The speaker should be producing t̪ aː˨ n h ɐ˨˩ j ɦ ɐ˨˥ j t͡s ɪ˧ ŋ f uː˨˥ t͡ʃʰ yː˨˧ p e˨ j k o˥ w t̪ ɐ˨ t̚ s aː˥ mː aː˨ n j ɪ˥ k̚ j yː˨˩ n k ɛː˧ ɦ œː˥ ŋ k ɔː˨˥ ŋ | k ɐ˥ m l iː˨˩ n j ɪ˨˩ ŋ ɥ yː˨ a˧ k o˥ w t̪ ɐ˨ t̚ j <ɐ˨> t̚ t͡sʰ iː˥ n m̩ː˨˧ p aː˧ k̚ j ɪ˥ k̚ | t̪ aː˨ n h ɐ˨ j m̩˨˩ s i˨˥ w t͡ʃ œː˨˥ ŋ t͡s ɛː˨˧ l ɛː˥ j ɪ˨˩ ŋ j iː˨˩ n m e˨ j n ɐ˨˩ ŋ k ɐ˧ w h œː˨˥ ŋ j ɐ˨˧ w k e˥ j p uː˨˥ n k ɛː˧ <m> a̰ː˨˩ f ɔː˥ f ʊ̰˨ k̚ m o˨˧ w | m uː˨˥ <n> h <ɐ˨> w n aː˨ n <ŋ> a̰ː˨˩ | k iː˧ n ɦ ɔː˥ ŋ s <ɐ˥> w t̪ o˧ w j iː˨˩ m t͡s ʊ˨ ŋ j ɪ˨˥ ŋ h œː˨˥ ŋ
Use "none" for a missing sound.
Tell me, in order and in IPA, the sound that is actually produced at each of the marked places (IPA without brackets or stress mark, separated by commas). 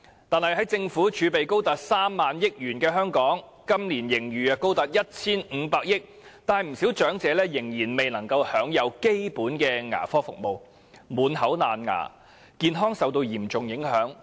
ɐ˥, ŋ, n, ɐ˨˥, ŋ, ɐ˨